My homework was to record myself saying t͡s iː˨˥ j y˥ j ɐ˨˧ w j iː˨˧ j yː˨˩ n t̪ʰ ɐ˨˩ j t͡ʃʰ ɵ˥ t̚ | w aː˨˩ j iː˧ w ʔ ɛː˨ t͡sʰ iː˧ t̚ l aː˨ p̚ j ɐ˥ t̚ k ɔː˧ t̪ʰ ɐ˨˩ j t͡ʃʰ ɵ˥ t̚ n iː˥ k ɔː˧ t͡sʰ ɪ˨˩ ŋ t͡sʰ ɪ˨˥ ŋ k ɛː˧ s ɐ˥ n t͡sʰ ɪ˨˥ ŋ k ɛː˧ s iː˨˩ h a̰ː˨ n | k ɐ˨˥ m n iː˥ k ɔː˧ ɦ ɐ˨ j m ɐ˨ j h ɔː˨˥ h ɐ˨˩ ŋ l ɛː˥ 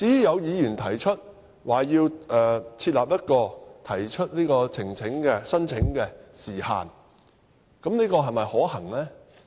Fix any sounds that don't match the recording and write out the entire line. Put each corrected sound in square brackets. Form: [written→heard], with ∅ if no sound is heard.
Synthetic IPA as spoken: t͡s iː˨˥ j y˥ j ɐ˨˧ w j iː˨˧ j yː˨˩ n t̪ʰ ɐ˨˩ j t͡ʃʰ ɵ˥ t̚ | w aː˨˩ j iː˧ w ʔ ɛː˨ t͡sʰ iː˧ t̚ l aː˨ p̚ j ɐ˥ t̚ k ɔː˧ t̪ʰ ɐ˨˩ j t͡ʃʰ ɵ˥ t̚ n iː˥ k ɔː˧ t͡sʰ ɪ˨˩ ŋ t͡sʰ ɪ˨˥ ŋ k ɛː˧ s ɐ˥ n t͡sʰ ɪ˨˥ ŋ k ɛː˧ s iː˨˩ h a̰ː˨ n | k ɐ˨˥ m n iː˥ k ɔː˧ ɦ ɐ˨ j m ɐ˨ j h ɔː˨˥ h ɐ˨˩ ŋ l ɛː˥